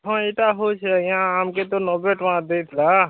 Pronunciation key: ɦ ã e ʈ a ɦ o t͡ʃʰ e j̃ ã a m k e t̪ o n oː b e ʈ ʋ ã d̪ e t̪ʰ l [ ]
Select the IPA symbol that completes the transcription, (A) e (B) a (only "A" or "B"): B